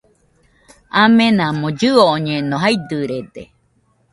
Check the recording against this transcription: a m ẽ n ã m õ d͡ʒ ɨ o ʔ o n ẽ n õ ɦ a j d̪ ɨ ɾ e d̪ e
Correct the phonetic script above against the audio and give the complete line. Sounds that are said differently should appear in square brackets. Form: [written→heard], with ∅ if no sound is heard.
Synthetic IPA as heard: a m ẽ n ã m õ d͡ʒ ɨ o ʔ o [n→ɲ] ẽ n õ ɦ a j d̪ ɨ ɾ e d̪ e